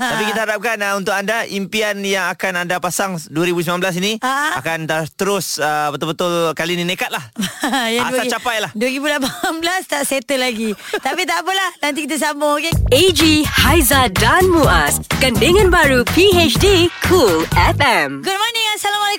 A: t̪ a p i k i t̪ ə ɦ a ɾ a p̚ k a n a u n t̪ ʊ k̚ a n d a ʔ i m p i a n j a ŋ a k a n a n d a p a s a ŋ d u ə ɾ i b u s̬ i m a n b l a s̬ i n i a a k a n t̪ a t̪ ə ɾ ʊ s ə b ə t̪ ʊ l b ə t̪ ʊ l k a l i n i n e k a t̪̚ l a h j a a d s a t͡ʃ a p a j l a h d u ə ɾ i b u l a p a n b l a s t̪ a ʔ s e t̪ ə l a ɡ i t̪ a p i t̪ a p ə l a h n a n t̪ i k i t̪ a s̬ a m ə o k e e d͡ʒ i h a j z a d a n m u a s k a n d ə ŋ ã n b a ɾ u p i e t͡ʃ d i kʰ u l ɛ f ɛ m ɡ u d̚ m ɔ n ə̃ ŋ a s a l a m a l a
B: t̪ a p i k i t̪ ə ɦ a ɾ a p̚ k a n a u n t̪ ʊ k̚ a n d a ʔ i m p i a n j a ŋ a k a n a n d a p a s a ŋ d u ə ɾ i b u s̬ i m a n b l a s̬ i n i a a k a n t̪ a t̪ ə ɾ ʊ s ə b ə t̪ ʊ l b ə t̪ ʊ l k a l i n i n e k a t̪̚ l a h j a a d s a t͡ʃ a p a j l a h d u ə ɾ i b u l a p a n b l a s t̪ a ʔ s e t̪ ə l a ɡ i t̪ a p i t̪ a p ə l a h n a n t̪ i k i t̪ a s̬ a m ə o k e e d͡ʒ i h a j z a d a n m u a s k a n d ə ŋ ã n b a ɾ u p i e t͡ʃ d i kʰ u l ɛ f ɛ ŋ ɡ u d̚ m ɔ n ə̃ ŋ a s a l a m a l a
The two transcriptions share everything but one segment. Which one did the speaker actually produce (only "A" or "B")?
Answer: A